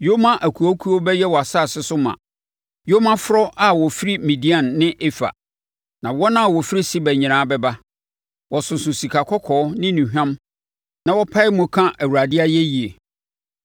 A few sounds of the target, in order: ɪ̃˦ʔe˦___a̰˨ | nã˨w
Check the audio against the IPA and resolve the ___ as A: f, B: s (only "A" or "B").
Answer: A